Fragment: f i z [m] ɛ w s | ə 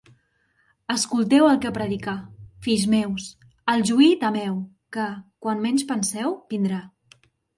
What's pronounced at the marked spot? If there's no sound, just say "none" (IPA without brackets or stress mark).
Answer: m